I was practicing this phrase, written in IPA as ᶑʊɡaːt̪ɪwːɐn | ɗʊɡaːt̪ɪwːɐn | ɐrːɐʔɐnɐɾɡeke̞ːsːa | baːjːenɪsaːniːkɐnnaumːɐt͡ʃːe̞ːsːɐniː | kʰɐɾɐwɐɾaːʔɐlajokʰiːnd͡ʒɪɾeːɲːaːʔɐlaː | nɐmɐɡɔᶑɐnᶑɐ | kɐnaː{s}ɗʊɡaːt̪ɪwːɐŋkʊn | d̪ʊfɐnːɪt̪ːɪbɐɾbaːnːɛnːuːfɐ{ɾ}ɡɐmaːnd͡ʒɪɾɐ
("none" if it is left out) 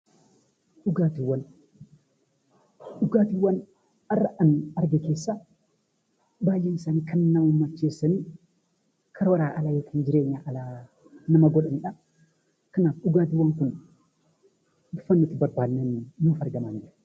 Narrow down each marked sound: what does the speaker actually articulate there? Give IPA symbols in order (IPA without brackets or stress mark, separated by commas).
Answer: f, ɾ